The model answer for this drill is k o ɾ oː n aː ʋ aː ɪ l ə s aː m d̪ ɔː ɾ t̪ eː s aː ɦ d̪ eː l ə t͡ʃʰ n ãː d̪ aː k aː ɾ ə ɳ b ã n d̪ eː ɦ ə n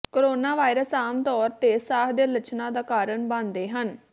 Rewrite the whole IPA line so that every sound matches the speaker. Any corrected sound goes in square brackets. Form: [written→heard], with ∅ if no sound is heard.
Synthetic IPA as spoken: k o ɾ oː n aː ʋ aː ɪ [l→ɾ] ə s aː m [d̪→t̪] ɔː ɾ t̪ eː s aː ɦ d̪ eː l ə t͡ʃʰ n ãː d̪ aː k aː ɾ ə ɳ b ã n d̪ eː ɦ ə n